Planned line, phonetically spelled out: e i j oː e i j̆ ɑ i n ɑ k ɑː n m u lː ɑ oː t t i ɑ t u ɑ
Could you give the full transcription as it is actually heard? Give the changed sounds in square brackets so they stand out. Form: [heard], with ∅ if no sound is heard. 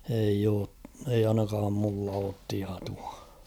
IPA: e i j oː e i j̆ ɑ i n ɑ k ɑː [m] m u lː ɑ oː t t i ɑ t u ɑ